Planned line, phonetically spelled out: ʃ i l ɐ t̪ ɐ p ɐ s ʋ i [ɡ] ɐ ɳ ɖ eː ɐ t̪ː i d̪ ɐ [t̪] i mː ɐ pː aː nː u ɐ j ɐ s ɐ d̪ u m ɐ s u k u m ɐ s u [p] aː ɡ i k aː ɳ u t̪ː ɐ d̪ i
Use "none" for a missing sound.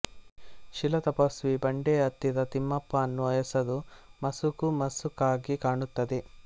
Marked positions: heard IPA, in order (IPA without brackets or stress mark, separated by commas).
b, t̪, k